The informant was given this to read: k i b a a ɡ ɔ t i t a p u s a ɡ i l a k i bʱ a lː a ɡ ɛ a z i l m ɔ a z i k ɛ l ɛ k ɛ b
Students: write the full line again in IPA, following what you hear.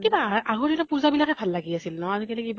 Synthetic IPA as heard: k i b a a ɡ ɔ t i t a p u z a b i l a k ɛ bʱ a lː a ɡ i a s i l n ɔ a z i k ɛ l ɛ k i b